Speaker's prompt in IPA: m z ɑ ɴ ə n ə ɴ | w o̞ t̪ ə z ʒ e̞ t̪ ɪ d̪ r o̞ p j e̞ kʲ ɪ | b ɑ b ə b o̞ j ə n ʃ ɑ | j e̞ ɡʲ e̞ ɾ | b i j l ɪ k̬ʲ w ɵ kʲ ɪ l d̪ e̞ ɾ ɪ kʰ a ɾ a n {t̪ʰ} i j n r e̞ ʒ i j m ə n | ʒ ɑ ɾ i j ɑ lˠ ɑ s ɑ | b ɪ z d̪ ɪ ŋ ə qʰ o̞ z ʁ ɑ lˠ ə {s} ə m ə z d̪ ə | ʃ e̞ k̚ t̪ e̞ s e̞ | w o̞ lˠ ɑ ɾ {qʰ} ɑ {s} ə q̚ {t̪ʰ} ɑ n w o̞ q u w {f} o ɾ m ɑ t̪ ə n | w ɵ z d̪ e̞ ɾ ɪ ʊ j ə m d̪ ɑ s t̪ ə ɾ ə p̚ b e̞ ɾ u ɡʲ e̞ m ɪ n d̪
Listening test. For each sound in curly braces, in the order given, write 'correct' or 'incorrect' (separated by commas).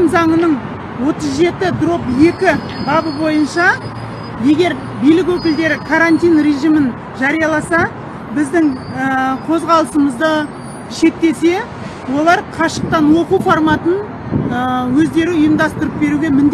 incorrect, correct, correct, incorrect, incorrect, correct